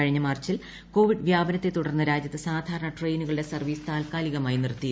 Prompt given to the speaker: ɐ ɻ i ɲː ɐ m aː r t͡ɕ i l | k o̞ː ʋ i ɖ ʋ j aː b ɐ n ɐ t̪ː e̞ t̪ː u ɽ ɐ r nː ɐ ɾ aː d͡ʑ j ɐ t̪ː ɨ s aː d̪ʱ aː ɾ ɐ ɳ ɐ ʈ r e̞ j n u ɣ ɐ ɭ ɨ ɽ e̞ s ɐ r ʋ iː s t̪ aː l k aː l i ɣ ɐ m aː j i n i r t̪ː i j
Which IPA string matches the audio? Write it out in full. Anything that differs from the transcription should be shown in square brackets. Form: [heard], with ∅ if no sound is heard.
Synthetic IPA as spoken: ɐ ɻ i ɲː ɐ m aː r t͡ɕ i l | k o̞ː ʋ i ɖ ʋ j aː b ɐ n ɐ t̪ː e̞ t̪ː u ɽ ɐ r nː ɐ ɾ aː d͡ʑ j ɐ t̪ː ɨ s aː d̪ʱ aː ɾ ɐ ɳ ɐ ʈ r e̞ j n u ɣ ɐ ɭ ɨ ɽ e̞ s ɐ r ʋ iː s t̪ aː l k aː l i ɣ ɐ m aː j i n i r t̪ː i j